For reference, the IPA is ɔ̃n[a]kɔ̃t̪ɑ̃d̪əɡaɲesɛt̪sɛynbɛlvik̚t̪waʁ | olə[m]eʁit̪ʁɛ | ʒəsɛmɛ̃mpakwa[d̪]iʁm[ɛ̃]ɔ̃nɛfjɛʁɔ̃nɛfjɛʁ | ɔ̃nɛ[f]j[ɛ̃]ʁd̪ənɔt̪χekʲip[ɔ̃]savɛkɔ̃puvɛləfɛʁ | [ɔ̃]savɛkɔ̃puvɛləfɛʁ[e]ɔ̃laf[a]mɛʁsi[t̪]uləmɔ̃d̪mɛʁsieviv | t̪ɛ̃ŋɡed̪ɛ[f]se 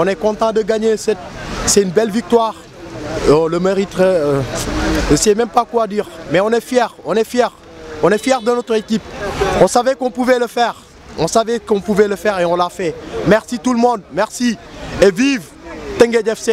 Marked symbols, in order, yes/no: no, yes, yes, no, yes, no, yes, yes, yes, no, yes, yes

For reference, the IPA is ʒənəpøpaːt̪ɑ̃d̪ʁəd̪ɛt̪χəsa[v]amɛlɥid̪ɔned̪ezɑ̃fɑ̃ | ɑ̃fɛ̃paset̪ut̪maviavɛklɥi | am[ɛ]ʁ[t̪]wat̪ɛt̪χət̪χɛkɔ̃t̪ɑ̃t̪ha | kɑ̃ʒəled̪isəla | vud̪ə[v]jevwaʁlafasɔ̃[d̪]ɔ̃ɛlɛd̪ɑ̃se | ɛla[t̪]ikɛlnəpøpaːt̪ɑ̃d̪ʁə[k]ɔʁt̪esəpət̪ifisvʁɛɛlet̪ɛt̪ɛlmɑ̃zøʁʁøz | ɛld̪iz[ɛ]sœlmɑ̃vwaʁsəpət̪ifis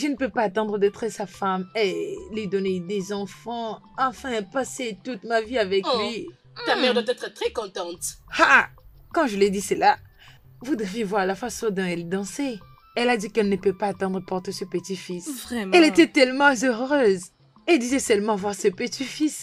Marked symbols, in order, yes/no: no, yes, no, yes, yes, no, no, yes

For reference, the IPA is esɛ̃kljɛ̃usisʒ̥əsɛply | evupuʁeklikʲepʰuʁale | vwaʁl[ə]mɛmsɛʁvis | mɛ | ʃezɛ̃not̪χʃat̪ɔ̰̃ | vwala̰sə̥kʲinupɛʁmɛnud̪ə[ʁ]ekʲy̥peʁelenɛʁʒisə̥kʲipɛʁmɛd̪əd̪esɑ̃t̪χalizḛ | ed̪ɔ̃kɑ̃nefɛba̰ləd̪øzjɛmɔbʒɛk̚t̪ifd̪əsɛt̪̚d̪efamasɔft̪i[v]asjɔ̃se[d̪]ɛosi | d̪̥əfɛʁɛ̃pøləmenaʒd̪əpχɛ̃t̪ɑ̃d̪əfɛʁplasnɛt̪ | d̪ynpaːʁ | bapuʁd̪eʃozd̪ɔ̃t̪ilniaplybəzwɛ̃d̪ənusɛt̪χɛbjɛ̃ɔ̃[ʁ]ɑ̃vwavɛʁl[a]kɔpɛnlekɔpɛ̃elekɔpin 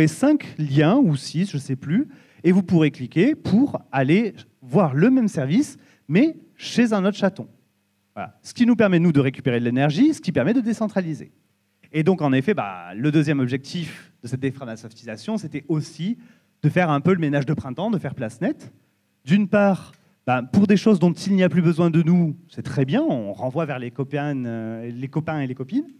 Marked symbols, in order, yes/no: yes, yes, no, no, yes, no

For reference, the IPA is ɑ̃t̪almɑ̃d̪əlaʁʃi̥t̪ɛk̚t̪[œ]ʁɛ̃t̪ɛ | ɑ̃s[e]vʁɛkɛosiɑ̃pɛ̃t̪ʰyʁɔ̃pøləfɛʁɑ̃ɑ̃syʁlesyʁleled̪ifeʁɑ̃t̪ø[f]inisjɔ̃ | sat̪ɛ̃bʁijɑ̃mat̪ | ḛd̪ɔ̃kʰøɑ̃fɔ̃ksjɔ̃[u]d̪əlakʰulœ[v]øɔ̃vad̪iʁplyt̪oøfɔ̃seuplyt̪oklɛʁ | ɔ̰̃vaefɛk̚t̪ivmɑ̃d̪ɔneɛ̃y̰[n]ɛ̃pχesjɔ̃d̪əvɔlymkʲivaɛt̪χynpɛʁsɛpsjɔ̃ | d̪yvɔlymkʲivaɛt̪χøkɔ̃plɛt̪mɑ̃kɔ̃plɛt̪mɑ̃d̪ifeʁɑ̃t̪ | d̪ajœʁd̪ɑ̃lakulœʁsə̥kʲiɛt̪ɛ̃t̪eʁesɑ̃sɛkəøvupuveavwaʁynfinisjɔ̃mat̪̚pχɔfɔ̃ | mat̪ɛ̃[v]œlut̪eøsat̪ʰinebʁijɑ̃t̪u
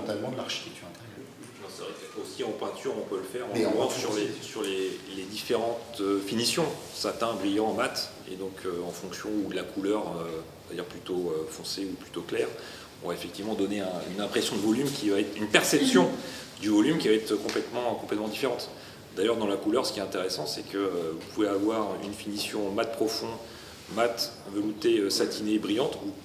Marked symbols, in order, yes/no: no, no, yes, yes, no, yes, yes

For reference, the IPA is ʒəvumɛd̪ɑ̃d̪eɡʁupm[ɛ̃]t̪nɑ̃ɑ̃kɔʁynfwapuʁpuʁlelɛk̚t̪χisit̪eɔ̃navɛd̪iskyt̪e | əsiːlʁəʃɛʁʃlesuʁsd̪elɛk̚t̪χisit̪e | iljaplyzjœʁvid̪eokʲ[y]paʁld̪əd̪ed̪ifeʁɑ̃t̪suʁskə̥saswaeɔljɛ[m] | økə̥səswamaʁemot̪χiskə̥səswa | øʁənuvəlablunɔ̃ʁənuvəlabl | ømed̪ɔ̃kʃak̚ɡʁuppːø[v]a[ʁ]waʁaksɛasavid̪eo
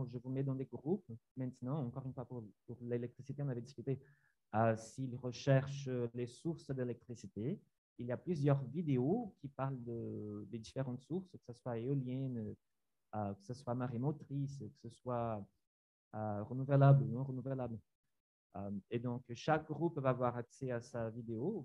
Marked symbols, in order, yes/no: yes, no, no, yes, no

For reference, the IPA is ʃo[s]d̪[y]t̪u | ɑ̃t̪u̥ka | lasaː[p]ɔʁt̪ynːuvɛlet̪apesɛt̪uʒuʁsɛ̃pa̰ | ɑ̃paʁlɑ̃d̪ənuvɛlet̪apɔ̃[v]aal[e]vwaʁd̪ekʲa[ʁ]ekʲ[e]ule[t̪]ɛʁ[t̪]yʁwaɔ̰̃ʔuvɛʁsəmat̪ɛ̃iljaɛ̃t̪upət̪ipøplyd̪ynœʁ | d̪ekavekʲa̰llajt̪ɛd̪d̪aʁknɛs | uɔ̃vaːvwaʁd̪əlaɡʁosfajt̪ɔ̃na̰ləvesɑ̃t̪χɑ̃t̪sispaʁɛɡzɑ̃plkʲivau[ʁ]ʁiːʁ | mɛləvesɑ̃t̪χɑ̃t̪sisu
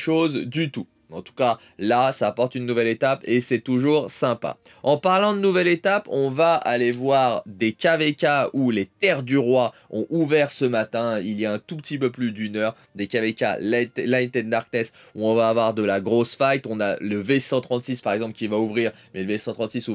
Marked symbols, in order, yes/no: no, yes, yes, yes, yes, no, no, yes, no, no

